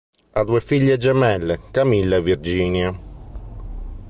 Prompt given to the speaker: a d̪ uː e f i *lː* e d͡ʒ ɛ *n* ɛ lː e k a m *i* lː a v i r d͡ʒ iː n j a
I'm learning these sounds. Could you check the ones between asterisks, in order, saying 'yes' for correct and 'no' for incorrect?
no, no, yes

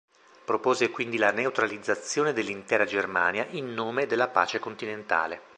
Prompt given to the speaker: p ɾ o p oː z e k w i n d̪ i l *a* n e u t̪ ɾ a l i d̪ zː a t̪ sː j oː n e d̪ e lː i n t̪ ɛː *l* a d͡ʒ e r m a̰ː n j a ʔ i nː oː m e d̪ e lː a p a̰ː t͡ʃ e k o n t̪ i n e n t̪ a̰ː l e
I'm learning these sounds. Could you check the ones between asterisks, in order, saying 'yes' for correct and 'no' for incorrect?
yes, no

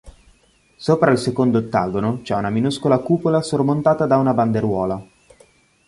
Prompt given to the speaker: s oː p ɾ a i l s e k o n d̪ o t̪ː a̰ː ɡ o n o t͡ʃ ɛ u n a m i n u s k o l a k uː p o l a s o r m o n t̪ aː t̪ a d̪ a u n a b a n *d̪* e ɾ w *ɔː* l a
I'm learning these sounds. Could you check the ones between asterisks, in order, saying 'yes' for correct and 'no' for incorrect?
yes, yes

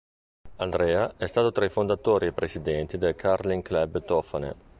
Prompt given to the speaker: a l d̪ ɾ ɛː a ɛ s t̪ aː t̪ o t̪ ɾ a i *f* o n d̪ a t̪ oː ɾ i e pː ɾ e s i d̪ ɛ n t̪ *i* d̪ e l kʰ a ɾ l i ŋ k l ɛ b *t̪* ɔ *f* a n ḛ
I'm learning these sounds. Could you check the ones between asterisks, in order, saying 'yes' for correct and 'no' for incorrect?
yes, yes, yes, yes

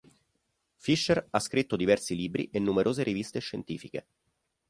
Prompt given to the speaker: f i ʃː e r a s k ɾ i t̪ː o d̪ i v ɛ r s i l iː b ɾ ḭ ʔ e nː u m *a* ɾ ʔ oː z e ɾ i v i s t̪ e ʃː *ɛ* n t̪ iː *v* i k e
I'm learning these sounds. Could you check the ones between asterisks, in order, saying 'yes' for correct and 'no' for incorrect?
no, no, no

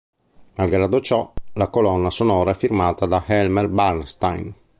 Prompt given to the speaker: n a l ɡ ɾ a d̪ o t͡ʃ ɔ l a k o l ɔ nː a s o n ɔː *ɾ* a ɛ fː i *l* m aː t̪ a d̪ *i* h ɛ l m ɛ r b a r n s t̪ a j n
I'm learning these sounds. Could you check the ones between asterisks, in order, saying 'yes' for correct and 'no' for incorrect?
yes, no, no

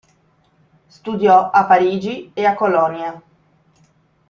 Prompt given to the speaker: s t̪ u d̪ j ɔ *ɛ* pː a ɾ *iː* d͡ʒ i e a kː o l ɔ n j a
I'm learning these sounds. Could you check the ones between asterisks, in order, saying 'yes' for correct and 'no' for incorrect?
no, yes

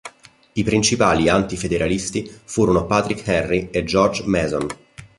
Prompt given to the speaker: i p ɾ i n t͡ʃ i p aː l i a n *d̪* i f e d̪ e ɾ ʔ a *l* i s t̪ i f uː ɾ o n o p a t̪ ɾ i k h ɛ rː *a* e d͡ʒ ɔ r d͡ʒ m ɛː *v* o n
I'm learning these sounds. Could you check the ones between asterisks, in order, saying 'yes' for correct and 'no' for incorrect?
no, yes, no, no

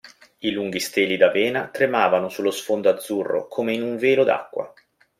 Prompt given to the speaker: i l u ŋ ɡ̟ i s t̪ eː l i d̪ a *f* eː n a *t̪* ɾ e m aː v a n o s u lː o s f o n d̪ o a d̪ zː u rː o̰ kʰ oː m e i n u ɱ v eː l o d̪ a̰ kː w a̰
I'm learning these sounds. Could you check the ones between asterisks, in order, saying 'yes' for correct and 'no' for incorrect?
no, yes

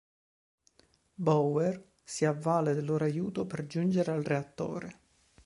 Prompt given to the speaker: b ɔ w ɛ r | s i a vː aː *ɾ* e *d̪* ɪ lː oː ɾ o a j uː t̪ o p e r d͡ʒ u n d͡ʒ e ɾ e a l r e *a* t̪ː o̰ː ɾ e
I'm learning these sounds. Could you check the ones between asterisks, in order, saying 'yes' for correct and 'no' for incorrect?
no, yes, yes

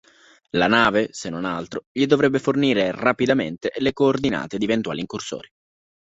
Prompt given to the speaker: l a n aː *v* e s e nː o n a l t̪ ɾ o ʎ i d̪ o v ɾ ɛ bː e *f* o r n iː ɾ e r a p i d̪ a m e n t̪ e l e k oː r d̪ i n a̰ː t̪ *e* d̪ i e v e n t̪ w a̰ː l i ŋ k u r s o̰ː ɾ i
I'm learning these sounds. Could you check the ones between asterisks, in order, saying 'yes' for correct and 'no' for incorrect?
yes, yes, yes

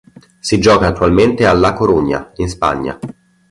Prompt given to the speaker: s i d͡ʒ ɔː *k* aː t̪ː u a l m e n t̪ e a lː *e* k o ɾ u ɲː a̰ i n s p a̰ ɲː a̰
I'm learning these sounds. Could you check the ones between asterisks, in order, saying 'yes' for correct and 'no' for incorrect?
yes, no

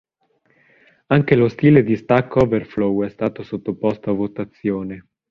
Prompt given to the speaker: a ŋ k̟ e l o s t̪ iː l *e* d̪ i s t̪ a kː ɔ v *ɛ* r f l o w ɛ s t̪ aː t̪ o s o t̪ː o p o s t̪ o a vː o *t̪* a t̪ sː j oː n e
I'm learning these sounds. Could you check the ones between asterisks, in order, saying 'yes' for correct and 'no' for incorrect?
yes, no, yes

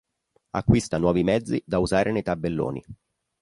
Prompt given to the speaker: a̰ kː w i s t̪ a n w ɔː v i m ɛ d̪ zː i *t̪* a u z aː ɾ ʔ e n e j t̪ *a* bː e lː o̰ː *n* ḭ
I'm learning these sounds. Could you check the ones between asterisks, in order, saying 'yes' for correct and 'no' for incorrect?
no, yes, yes

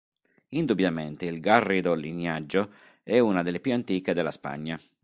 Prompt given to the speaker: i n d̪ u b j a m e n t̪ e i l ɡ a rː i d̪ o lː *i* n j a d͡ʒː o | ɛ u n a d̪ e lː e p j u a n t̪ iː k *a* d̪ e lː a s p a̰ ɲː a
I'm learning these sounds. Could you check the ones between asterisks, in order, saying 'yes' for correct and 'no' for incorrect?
yes, no

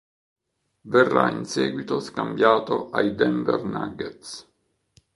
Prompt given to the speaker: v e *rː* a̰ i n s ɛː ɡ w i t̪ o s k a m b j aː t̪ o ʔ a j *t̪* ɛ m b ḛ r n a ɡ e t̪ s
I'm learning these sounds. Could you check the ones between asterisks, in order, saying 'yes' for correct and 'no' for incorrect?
yes, no

